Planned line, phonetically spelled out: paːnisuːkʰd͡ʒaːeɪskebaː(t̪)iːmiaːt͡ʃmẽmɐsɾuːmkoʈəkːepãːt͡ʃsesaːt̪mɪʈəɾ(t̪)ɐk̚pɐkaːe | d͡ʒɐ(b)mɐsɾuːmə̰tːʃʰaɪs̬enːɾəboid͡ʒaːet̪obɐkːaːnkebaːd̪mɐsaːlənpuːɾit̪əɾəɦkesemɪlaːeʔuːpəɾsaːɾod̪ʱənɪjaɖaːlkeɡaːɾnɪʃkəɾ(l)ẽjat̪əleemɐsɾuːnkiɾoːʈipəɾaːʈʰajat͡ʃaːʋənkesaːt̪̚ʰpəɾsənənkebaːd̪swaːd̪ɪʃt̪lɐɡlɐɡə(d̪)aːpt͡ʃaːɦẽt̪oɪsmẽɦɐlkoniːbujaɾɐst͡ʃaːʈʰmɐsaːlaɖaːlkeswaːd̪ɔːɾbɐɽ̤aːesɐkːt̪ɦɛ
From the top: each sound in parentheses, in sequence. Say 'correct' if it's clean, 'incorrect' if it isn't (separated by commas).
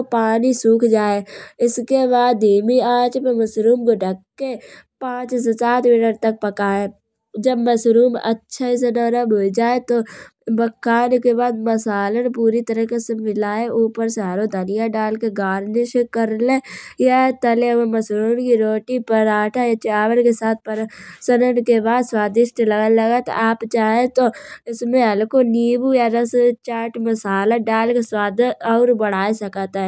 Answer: incorrect, correct, correct, correct, incorrect